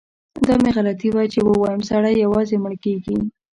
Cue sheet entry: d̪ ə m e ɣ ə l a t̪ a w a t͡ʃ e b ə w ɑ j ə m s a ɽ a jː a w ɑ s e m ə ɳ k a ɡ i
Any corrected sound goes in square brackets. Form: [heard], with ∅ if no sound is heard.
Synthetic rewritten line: d̪ [ɑ] m e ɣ [a] l a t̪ [i] w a t͡ʃ e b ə w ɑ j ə m s a ɽ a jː a w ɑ [z] e m ə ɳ k [e] ɡ i